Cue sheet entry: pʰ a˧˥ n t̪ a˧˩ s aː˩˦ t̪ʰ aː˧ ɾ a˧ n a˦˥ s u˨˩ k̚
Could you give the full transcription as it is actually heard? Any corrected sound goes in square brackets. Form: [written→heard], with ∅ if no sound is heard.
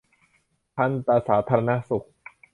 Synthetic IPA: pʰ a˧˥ n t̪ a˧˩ s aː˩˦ t̪ʰ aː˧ ɾ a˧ n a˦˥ s u˨˩ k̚

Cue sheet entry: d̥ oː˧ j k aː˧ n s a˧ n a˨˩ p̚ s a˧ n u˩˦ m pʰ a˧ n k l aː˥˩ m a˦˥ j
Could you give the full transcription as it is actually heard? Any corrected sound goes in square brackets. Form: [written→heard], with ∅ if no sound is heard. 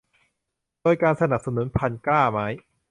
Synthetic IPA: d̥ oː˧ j k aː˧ n s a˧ n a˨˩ p̚ s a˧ n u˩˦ [m→n] pʰ a˧ n k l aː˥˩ m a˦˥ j

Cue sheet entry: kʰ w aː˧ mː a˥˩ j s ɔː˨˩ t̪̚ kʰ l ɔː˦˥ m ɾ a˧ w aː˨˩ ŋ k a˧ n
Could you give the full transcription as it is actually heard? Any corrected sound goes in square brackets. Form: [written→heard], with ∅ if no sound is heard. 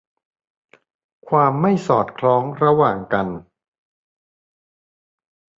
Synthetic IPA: kʰ w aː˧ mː a˥˩ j s ɔː˨˩ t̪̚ kʰ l ɔː˦˥ [m→ŋ] ɾ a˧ w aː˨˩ ŋ k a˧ n

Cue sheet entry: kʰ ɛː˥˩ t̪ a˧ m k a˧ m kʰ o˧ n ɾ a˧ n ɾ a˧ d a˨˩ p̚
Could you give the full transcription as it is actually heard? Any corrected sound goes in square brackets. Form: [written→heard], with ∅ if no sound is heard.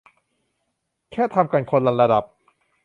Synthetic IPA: kʰ ɛː˥˩ [t̪→t̪ʰ] a˧ m k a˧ [m→n] kʰ o˧ n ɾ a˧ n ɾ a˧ d a˨˩ p̚

